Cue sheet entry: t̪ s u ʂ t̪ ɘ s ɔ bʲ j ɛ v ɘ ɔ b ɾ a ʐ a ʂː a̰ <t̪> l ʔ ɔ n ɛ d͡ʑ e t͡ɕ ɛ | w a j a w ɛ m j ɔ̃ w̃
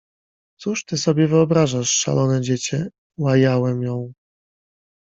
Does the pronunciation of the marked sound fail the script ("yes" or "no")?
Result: yes